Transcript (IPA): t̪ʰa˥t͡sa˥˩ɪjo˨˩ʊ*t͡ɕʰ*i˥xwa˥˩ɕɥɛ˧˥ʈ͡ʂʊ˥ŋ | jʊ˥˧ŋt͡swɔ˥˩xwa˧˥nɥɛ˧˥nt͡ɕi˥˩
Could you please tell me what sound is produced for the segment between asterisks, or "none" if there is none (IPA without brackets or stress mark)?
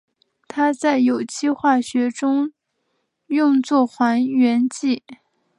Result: t͡ɕʰ